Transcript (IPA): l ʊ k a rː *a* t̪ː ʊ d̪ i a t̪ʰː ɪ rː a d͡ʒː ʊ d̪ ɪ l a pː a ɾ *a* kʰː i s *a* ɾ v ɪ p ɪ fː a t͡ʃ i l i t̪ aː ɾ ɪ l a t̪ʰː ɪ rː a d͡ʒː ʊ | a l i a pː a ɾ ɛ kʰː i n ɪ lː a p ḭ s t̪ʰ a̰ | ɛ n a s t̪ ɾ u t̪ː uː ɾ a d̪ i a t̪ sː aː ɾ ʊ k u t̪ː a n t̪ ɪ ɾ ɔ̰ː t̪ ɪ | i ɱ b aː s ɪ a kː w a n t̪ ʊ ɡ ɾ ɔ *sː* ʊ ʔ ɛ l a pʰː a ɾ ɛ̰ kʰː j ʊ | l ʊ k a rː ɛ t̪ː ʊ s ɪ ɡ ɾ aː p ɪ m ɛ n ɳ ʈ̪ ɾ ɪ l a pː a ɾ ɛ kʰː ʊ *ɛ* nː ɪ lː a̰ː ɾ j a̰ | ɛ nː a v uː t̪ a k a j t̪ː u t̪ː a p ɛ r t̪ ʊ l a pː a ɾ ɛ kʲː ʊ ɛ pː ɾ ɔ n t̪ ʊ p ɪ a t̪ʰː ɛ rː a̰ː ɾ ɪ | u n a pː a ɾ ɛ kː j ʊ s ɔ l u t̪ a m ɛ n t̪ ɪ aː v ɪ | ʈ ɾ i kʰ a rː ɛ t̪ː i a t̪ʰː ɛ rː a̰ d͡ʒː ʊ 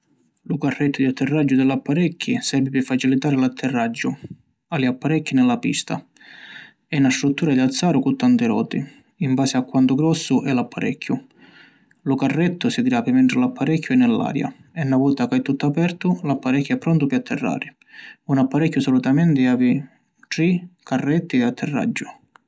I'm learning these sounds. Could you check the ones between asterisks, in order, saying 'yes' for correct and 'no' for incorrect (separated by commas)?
no, no, no, yes, yes